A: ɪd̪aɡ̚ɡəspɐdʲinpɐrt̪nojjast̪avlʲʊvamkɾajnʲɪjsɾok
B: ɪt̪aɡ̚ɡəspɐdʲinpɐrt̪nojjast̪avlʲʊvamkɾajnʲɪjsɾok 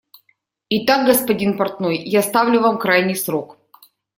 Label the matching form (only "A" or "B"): B